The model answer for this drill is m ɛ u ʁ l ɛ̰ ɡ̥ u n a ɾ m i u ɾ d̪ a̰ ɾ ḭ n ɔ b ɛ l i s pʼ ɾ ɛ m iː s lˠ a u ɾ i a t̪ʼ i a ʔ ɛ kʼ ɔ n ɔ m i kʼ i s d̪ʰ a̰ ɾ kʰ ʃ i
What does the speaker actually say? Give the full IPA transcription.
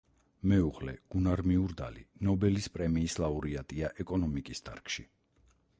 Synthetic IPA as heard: m ɛ u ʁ l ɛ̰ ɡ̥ u n a ɾ m i u ɾ d̪ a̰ l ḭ n ɔ b ɛ l i s pʼ ɾ ɛ m iː s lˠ a u ɾ i a t̪ʼ i a ʔ ɛ kʼ ɔ n ɔ m i kʼ i s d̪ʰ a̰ ɾ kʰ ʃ i